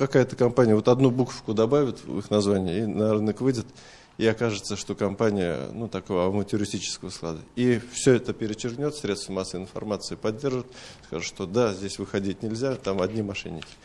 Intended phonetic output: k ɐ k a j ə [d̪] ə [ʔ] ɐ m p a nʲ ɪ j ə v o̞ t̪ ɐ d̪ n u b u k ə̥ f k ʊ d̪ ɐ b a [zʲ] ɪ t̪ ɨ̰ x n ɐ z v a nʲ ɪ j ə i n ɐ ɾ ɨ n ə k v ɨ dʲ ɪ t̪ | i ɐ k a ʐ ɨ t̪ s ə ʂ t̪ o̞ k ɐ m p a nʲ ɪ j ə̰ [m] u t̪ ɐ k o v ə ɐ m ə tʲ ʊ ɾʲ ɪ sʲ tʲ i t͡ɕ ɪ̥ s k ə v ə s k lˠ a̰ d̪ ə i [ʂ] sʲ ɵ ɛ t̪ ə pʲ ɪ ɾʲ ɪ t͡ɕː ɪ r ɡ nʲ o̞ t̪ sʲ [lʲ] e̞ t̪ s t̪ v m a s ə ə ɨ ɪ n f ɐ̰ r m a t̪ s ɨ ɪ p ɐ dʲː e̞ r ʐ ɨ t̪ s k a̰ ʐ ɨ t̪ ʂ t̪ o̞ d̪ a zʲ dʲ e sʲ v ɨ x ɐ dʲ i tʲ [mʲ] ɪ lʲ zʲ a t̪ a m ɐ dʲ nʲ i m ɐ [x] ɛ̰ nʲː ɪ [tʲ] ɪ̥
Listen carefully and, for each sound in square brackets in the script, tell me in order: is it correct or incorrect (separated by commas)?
incorrect, incorrect, incorrect, incorrect, incorrect, incorrect, incorrect, incorrect, incorrect